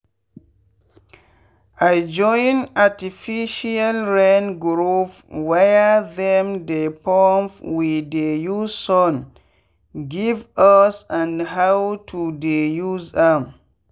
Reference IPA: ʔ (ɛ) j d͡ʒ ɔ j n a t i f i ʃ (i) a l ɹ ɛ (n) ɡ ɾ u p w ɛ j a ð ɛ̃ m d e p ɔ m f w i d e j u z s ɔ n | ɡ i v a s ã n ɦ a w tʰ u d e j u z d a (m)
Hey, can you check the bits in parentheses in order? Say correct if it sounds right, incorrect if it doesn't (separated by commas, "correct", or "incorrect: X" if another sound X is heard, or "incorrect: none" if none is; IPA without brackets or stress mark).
incorrect: a, correct, correct, correct